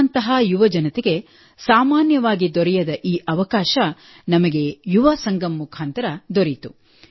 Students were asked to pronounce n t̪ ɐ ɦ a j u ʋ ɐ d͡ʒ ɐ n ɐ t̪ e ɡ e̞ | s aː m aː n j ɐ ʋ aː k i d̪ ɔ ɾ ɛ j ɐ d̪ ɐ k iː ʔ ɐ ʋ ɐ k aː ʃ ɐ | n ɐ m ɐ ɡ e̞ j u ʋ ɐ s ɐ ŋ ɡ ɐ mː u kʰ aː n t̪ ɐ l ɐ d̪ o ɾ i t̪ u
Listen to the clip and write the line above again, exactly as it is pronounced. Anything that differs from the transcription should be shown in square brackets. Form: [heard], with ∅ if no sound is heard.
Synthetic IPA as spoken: n t̪ ɐ ɦ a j u ʋ ɐ d͡ʒ ɐ n ɐ t̪ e ɡ e̞ | s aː m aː n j ɐ ʋ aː [ɡ] i d̪ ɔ ɾ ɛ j ɐ d̪ ɐ [ʔ] iː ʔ ɐ ʋ ɐ k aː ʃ ɐ | n ɐ m ɐ ɡ e̞ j u ʋ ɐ s ɐ ŋ ɡ ɐ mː u kʰ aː n t̪ ɐ [ɾ] ɐ d̪ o ɾ i t̪ u